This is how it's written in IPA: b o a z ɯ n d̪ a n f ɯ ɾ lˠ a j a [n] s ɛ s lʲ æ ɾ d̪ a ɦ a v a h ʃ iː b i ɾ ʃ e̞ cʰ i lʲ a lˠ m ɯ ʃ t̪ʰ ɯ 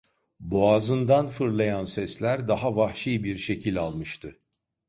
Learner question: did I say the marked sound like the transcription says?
yes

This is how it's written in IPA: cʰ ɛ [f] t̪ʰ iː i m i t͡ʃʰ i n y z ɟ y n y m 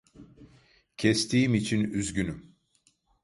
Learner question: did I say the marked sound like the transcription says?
no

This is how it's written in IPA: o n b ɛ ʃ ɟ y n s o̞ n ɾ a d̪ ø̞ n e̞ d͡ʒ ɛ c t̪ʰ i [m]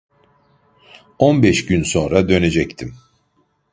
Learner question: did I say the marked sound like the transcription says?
yes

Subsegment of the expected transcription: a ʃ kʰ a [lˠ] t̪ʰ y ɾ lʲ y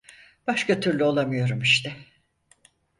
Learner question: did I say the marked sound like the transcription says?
no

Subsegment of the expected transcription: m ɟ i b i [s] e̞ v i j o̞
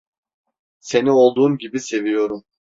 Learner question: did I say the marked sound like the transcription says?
yes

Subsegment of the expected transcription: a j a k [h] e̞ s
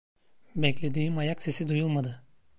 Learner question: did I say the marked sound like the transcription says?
no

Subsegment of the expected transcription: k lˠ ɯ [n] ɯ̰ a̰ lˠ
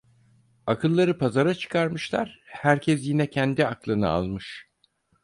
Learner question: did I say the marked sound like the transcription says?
yes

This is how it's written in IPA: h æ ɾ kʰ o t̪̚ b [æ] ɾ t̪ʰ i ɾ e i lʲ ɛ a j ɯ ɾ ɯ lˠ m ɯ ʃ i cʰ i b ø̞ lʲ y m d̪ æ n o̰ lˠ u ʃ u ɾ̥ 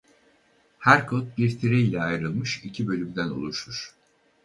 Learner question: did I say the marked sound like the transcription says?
no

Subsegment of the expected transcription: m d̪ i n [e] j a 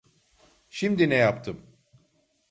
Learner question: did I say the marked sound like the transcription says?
no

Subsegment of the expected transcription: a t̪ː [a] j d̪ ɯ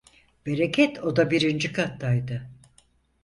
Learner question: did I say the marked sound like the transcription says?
yes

